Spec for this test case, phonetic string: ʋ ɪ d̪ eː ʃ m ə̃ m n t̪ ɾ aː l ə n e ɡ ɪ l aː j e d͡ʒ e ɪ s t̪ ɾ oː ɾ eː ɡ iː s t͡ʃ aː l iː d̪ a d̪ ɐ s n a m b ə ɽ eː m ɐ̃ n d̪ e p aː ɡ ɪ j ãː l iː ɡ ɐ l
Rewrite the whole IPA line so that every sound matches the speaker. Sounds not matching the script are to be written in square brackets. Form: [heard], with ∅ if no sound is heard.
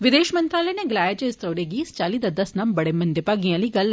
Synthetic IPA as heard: ʋ ɪ d̪ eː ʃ m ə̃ [∅] n t̪ ɾ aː l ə n e ɡ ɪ l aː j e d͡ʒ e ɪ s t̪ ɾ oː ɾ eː ɡ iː s t͡ʃ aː l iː d̪ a d̪ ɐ s n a m b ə ɽ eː m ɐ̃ n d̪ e p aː ɡ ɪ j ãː l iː ɡ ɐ l